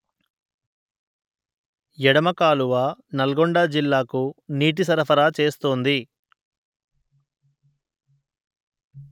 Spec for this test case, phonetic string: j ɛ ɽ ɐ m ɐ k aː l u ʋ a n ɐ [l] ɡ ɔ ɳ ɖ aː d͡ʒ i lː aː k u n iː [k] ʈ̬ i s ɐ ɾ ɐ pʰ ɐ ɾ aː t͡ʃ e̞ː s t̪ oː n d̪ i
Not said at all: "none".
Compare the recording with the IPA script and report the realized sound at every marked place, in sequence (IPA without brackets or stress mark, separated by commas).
l, none